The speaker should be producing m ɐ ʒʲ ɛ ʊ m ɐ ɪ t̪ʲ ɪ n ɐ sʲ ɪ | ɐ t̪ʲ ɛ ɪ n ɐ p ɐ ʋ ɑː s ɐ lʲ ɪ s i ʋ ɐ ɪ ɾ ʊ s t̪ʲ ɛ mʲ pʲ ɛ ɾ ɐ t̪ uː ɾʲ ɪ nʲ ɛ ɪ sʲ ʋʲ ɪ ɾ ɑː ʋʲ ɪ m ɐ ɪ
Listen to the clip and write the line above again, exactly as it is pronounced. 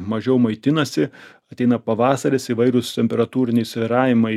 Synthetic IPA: m ɐ ʒʲ ɛ ʊ m ɐ ɪ t̪ʲ ɪ n ɐ sʲ ɪ | ɐ t̪ʲ ɛ ɪ n ɐ p ɐ ʋ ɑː s ɐ ɾʲ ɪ s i ʋ ɐ ɪ ɾ ʊ s t̪ʲ ɛ mʲ pʲ ɛ ɾ ɐ t̪ uː ɾʲ ɪ nʲ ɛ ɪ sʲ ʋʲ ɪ ɾ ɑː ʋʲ ɪ m ɐ ɪ